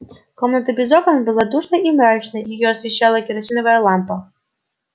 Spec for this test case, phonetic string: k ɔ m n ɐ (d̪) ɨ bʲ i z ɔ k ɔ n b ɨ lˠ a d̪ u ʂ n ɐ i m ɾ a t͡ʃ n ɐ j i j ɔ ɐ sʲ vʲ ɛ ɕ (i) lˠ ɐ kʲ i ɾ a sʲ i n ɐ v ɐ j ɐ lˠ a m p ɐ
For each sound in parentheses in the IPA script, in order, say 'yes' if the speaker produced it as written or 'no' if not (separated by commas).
no, no